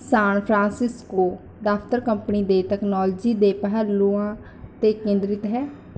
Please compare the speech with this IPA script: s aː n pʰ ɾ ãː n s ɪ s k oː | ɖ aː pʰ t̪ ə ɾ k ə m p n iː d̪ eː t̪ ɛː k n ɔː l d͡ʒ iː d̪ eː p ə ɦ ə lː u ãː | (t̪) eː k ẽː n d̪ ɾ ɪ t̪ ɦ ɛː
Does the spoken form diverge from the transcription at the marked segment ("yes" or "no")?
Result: no